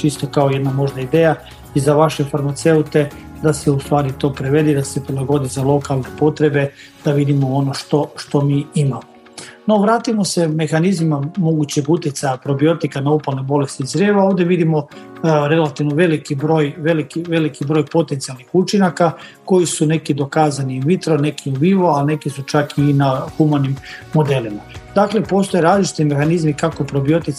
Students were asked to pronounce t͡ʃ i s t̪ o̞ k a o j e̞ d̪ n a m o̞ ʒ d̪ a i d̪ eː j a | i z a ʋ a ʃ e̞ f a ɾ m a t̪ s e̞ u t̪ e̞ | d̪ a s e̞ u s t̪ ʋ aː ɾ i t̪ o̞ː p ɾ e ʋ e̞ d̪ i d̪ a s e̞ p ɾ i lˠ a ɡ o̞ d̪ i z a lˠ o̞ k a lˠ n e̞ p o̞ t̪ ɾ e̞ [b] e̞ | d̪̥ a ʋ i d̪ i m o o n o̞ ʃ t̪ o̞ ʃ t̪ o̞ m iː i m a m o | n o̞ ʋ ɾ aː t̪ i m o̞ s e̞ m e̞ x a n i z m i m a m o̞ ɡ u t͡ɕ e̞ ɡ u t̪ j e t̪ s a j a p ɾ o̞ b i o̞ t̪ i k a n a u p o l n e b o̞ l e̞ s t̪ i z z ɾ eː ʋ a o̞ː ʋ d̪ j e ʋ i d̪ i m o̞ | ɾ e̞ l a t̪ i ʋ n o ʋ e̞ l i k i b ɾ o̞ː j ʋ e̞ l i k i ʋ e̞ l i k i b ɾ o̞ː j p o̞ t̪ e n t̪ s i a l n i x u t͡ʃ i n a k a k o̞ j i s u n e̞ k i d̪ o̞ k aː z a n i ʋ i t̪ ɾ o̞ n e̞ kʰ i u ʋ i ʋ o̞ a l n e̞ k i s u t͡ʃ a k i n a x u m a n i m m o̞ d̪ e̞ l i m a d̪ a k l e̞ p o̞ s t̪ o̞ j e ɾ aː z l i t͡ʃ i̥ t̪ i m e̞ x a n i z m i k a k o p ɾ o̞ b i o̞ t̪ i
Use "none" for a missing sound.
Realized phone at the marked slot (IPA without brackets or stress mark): b